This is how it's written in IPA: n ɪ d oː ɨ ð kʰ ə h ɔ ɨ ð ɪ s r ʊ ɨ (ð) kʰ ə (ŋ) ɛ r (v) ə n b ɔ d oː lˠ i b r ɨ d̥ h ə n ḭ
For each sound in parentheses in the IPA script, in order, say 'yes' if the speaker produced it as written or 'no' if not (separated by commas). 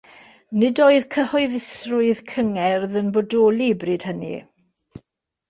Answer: yes, yes, no